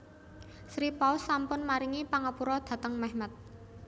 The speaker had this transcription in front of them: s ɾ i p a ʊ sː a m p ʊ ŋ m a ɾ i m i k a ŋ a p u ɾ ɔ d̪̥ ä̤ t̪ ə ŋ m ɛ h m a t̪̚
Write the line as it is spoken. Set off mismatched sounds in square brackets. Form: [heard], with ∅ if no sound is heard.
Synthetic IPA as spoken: s ɾ i p a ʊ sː a m p ʊ [n] m a ɾ i [ŋ] i [p] a ŋ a p u ɾ ɔ d̪̥ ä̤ t̪ ə ŋ m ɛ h m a t̪̚